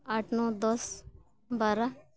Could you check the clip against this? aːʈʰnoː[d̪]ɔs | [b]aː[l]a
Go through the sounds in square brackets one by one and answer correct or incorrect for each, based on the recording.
correct, correct, incorrect: ɾ

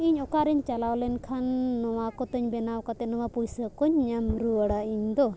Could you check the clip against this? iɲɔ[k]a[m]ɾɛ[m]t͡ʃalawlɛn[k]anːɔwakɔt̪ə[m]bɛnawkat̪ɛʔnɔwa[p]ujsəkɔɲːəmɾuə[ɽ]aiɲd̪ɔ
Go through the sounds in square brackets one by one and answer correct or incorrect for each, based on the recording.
correct, incorrect: none, incorrect: ɲ, incorrect: kʰ, incorrect: ɲ, correct, correct

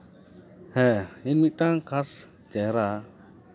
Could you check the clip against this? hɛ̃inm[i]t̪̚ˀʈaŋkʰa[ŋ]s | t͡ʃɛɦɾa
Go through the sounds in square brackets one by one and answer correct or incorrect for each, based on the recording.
correct, incorrect: none

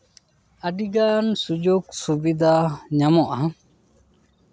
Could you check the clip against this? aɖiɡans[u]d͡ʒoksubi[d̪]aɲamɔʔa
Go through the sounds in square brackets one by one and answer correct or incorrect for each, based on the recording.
correct, correct

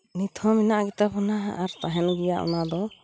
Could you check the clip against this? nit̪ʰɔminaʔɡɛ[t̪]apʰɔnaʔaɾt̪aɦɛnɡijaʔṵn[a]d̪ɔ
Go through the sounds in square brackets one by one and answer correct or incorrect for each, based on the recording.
correct, correct

